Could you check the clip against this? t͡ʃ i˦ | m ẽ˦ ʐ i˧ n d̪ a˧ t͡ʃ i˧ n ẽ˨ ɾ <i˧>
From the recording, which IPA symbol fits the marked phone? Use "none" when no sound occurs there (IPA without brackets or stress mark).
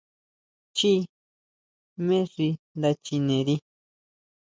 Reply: i˧